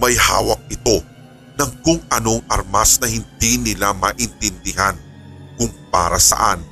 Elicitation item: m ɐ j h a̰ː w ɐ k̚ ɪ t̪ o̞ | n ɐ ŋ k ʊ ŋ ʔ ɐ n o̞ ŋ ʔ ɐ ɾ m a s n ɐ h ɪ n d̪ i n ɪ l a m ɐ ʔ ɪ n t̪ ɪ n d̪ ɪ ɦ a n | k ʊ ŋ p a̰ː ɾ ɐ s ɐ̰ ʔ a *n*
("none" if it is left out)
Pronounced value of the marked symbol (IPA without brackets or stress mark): n